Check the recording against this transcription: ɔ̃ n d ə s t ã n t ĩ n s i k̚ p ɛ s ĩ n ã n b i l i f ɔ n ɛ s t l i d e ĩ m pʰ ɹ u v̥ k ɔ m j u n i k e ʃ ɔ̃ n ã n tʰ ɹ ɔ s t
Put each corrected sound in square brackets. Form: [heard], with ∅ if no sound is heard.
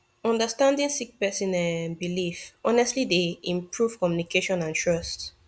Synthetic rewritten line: ɔ̃ n d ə s t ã n [d] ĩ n s i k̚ p ɛ s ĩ n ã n b i l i f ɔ n ɛ s t l i d e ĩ m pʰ ɹ u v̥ k ɔ m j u n i k e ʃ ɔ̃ n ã n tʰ ɹ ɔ s t